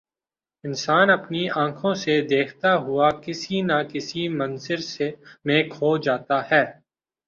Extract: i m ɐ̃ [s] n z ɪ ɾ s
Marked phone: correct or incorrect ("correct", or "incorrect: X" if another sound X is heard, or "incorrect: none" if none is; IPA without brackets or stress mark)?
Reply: incorrect: none